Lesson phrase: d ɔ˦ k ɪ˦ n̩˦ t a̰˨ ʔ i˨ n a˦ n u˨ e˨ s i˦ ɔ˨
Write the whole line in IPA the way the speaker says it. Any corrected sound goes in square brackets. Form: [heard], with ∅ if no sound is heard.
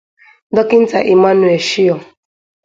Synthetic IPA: d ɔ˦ k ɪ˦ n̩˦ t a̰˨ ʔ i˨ [m] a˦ n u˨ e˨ [ʃ] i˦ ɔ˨

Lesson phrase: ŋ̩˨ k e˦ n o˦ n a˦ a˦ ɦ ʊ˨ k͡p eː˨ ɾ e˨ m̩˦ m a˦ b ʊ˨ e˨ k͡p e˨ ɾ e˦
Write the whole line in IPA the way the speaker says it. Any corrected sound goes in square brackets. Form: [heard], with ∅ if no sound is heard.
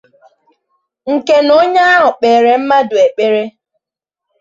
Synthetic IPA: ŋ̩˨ k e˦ n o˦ [ɲ] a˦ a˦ ɦ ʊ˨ k͡p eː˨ ɾ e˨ m̩˦ m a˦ [d] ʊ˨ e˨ k͡p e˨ ɾ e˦

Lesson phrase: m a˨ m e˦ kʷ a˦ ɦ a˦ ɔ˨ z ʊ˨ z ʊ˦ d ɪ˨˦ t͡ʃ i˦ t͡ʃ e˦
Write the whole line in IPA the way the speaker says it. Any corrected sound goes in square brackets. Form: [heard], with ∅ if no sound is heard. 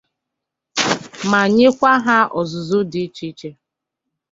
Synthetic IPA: m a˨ [ɲ] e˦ kʷ a˦ ɦ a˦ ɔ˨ z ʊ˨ z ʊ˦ d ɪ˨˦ t͡ʃ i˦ t͡ʃ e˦

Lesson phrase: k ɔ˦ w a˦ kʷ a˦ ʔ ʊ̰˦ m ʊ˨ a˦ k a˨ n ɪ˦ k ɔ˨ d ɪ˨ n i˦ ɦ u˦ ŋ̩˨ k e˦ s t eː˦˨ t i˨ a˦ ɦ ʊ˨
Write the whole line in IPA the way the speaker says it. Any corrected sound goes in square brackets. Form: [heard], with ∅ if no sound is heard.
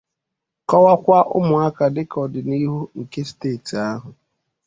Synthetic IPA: k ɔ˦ w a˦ kʷ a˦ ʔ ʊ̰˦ m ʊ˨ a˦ k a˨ [d] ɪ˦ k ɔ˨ d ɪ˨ n i˦ ɦ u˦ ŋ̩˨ k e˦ s t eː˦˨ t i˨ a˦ ɦ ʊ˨

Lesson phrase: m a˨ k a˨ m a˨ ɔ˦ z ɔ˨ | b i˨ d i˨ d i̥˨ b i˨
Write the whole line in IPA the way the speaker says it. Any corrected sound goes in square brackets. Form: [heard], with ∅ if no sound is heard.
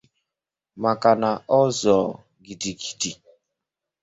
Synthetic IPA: m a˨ k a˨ [n] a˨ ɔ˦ z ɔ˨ | [ɡ] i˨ d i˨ [ɡ] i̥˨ [d] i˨

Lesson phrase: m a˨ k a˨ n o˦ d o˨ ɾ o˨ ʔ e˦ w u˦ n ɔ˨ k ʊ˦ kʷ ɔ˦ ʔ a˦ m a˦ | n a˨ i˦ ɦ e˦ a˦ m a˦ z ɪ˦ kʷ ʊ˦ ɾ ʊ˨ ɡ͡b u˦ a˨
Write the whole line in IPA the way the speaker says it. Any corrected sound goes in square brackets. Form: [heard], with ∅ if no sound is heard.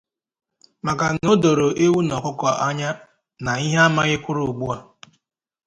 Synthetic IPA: m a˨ k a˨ n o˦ d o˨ ɾ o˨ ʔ e˦ w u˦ n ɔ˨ k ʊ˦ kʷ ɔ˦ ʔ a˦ [ɲ] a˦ | n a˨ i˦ ɦ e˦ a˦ m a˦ [ɣ] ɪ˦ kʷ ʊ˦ ɾ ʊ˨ ɡ͡b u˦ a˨

